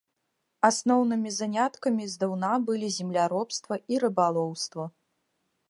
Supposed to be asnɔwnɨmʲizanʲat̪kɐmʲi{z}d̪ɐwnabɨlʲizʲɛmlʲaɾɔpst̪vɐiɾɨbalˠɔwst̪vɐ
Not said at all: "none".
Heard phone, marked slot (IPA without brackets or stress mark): z